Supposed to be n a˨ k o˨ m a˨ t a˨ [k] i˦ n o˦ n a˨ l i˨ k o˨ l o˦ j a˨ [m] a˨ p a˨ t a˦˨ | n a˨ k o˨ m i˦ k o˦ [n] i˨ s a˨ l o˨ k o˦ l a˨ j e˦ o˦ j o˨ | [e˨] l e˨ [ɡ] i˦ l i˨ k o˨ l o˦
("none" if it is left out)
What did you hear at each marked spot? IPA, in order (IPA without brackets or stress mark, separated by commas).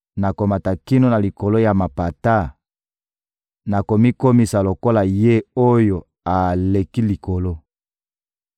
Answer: k, m, m, a˨, k